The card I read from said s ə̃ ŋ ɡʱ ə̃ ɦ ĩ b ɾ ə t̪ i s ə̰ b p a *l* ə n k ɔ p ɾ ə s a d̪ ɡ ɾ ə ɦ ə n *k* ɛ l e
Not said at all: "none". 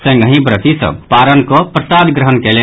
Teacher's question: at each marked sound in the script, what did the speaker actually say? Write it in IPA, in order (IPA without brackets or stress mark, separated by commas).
ɾ, k